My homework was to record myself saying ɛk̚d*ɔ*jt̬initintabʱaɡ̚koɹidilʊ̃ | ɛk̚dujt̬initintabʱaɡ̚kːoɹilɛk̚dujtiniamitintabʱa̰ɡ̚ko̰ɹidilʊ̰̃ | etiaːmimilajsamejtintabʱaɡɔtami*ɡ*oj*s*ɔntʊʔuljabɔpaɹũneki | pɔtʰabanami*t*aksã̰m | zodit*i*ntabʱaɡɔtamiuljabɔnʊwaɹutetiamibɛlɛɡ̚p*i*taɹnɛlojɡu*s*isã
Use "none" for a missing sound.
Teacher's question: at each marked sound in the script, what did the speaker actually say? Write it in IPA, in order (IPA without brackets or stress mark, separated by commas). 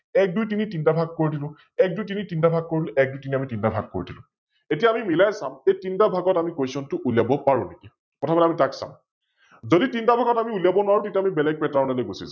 u, k, s, t, i, ɛ, s